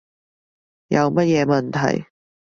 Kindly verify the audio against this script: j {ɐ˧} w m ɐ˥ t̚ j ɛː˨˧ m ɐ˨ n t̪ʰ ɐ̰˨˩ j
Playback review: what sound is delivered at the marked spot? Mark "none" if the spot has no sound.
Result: ɐ˧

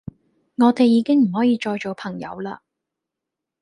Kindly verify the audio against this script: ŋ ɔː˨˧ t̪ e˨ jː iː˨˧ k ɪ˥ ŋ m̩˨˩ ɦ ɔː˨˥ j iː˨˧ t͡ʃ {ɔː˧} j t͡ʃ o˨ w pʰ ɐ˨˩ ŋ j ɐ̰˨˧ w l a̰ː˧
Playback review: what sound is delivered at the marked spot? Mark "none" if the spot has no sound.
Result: ɔː˧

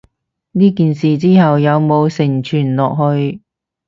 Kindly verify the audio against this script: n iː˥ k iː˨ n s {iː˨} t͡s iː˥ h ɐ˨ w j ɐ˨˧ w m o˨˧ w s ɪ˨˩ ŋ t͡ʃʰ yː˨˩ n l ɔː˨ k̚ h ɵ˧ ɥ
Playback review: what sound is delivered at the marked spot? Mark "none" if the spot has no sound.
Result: iː˨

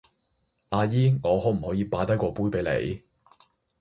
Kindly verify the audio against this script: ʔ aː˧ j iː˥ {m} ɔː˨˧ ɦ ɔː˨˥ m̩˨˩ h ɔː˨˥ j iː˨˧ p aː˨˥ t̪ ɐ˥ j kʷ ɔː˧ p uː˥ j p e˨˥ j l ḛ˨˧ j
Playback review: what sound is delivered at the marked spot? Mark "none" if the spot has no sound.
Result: ŋ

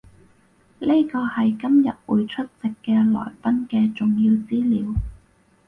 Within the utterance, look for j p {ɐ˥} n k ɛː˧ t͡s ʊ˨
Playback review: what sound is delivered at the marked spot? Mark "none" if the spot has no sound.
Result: ɐ˥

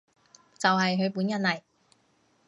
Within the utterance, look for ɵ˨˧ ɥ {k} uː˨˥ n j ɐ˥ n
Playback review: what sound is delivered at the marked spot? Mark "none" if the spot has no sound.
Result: p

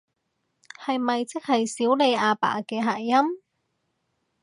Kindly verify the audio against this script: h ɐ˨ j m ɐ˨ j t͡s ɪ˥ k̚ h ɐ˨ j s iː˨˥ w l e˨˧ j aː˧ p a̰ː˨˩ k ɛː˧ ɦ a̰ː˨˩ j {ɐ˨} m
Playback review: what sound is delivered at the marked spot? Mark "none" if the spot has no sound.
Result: ɐ˥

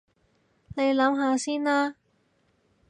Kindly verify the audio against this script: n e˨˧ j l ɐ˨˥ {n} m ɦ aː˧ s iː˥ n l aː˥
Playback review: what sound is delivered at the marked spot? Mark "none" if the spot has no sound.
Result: none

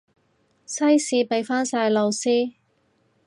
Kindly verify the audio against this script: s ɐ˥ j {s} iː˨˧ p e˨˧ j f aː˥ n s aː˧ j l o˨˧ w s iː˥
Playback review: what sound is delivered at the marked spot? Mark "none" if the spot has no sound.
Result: s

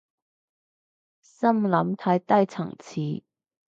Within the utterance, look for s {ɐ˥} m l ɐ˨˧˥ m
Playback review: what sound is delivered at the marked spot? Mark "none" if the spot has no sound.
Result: ɐ˥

